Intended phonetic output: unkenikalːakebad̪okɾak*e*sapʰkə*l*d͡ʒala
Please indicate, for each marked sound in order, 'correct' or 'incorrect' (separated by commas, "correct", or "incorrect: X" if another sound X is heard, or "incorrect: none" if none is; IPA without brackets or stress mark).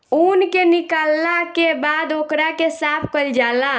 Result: correct, correct